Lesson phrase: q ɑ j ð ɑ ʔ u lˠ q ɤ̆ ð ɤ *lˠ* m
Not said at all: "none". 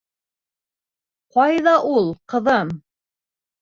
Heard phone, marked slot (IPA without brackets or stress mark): none